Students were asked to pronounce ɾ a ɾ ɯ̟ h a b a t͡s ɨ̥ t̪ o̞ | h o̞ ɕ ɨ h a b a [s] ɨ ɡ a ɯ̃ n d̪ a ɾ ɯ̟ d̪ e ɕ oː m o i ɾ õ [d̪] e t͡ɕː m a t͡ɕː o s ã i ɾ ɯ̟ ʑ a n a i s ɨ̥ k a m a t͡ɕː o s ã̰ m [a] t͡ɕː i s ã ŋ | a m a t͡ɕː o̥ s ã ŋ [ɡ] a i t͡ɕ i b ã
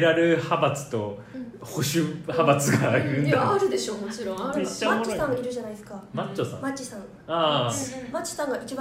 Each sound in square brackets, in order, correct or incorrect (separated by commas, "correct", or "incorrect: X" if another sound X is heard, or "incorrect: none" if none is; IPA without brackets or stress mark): incorrect: t͡s, incorrect: none, correct, correct